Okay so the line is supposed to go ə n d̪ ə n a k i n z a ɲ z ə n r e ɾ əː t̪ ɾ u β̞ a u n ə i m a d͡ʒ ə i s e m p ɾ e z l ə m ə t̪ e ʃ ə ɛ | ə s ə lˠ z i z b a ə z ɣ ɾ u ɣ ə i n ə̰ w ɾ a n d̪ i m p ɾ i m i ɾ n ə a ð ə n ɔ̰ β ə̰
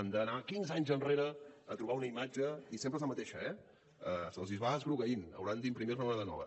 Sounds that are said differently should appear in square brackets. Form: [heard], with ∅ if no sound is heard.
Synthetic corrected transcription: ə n d̪ ə n a k i n z a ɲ z ə n r e ɾ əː t̪ ɾ u β̞ a u n ə i m a d͡ʒ ə i s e m p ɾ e z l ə m ə t̪ e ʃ ə ɛ | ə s ə lˠ z i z [β] a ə z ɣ ɾ u ɣ ə i n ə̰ w ɾ a n d̪ i m p ɾ i m i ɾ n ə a ð ə n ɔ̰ β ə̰